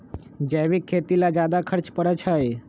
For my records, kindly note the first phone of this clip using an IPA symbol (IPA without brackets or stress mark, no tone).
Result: d͡ʒ